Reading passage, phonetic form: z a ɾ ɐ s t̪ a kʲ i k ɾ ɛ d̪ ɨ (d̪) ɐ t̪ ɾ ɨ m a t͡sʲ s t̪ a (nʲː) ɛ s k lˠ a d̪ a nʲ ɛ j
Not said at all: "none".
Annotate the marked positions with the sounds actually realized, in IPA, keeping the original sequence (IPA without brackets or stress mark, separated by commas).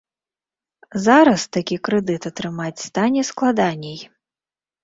t̪, nʲ